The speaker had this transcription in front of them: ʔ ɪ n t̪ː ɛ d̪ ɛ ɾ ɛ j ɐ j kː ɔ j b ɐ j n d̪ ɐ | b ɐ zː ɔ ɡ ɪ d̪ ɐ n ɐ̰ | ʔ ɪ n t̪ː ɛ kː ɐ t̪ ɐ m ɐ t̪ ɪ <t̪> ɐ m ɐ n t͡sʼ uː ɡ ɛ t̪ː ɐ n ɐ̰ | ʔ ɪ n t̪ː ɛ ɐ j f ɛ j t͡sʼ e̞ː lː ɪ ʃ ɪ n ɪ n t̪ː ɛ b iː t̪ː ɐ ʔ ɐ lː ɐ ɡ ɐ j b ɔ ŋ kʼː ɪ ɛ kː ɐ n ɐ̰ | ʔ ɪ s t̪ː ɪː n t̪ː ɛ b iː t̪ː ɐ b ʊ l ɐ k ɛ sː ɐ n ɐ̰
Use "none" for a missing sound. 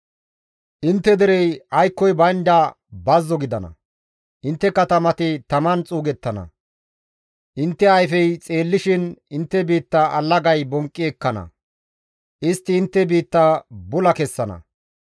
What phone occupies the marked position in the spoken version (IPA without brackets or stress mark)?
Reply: t̪